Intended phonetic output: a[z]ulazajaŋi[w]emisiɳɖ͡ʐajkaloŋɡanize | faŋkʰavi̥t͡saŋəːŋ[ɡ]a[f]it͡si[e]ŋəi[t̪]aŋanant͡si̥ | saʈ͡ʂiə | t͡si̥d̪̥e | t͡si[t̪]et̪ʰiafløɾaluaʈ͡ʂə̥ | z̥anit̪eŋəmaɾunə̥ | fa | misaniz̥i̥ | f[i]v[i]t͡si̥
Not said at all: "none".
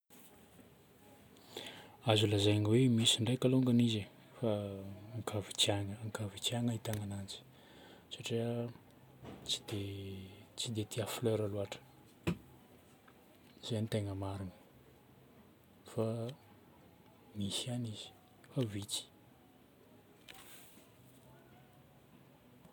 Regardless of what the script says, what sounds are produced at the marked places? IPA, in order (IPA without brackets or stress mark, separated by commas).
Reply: z, w, k, v, a, t̪, d̪, a, i